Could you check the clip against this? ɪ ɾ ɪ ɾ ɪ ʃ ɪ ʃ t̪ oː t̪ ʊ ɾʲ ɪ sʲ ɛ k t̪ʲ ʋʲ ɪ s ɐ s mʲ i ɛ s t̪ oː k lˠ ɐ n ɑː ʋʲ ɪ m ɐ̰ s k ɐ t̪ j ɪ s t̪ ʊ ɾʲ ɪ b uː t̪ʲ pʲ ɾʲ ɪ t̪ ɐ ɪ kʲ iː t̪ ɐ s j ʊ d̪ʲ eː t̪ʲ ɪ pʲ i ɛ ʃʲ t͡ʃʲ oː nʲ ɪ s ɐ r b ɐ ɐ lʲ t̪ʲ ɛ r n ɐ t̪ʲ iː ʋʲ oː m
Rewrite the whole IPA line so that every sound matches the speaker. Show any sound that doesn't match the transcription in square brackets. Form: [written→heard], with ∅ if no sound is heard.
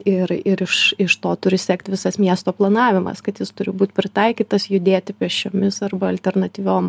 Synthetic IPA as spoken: ɪ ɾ ɪ ɾ ɪ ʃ ɪ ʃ t̪ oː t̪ ʊ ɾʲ ɪ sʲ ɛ k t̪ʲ ʋʲ ɪ s ɐ s mʲ i ɛ s t̪ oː [k→p] lˠ ɐ n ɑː ʋʲ ɪ m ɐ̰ s k ɐ t̪ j ɪ s t̪ ʊ ɾʲ ɪ b uː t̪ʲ pʲ ɾʲ ɪ t̪ ɐ ɪ kʲ iː t̪ ɐ s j ʊ d̪ʲ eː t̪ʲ ɪ pʲ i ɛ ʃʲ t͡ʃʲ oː [nʲ→mʲ] ɪ s ɐ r b ɐ ɐ lʲ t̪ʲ ɛ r n ɐ t̪ʲ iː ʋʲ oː m